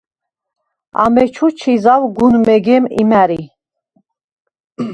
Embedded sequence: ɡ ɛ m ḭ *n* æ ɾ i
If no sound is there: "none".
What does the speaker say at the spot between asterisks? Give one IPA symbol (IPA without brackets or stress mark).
m